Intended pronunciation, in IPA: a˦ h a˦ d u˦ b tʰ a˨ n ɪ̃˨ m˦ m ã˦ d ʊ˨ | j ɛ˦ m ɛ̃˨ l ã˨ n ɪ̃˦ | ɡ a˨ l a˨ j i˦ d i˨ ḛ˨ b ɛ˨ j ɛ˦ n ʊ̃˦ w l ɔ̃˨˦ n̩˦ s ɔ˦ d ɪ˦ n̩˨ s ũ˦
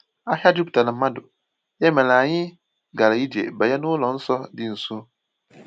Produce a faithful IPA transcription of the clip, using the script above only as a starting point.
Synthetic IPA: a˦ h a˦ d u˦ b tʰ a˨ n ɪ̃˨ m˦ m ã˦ d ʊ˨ | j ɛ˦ m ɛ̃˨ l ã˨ ɲ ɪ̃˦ | ɡ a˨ l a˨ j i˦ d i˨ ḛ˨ b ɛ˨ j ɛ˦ n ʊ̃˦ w l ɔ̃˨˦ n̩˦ s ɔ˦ d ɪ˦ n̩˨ s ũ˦